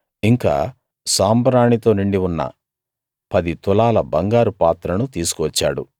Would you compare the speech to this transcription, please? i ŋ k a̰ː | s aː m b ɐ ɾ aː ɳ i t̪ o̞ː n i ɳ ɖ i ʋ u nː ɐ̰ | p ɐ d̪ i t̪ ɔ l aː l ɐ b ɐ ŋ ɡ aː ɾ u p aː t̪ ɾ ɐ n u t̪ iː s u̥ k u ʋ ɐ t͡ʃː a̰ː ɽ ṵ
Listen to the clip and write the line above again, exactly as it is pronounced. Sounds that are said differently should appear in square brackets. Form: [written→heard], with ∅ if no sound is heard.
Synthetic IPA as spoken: i ŋ k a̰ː | s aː m b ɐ ɾ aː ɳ i t̪ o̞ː n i ɳ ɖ i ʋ u nː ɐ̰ | p ɐ d̪ i t̪ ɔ l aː l ɐ b ɐ ŋ ɡ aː ɾ u p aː t̪ ɾ ɐ n u t̪ iː s u̥ k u ʋ ɐ t͡ʃː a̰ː ɽ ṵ